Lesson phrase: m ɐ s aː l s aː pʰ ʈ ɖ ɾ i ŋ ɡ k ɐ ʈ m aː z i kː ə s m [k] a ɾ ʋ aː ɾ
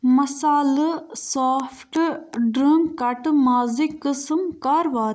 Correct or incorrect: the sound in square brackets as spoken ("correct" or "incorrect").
correct